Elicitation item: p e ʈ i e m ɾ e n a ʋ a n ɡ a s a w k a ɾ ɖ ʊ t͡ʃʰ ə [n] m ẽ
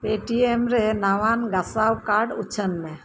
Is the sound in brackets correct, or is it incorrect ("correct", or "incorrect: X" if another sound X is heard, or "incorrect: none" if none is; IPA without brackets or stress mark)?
correct